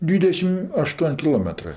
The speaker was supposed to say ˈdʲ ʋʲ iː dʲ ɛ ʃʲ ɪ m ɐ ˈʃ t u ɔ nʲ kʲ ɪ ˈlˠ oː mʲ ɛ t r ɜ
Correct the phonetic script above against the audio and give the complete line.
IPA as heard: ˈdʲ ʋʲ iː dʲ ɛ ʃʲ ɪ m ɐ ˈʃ t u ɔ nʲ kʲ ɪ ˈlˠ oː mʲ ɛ t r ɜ